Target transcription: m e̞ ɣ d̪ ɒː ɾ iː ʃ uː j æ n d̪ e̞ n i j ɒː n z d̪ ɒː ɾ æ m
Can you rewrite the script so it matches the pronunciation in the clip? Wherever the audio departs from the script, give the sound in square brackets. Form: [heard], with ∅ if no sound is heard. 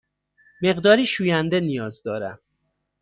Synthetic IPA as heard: m e̞ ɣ d̪ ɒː ɾ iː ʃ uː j æ n d̪ e̞ n i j ɒː [∅] z d̪ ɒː ɾ æ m